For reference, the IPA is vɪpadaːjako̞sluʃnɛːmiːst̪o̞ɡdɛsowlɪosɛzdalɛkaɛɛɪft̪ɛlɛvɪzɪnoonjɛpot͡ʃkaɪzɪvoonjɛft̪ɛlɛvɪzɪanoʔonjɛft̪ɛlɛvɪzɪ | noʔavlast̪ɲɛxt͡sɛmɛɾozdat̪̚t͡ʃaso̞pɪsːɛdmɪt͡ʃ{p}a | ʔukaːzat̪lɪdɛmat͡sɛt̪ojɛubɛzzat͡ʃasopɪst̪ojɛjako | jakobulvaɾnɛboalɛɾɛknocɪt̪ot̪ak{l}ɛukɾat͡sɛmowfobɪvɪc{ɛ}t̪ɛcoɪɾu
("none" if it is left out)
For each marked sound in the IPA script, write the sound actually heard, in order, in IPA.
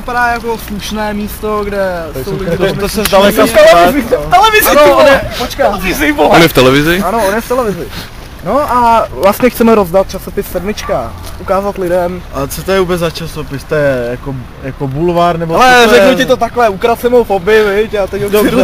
k, l, a

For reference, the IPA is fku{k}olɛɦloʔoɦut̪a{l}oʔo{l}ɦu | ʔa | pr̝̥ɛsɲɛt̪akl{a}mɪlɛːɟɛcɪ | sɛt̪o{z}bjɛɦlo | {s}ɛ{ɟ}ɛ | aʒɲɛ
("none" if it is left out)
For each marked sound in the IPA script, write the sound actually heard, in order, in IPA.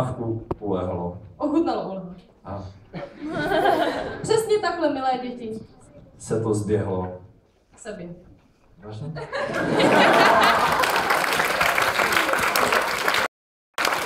p, l, l, ɛ, z, s, b

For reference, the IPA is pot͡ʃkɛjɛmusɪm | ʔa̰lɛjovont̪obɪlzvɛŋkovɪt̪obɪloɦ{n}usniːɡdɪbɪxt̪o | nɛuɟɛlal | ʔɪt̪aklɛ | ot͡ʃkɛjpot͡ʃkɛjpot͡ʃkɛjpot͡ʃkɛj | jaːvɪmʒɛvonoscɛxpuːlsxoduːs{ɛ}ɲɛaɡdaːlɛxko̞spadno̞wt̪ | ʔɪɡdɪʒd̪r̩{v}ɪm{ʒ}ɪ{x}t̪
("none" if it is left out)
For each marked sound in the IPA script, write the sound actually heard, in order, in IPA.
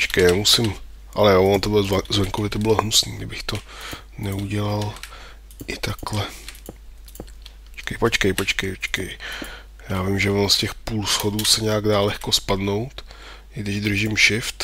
n, ɛ, ʒ, ʃ, f

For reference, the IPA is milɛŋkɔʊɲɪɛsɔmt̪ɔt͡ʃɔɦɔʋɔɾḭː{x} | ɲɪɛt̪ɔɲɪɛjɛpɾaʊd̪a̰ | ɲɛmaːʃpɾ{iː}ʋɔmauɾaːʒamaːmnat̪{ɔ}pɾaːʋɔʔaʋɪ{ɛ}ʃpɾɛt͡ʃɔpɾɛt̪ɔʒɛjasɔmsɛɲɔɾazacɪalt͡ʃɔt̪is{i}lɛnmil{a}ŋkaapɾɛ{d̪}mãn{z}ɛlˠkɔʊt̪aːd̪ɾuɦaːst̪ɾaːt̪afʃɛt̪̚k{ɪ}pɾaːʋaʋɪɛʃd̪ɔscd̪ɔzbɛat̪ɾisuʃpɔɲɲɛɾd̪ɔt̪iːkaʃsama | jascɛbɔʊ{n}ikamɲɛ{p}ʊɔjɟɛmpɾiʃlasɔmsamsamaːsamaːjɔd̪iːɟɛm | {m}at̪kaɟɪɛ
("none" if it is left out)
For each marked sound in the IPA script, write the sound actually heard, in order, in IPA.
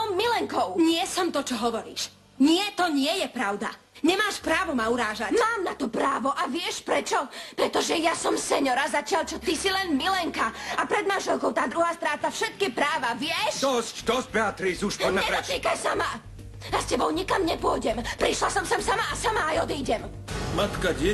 ʃ, aː, ɔ, ɛ, i, ɛ, d̪, ʒ, i, ɲ, p, m

